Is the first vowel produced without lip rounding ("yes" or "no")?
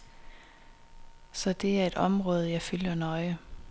no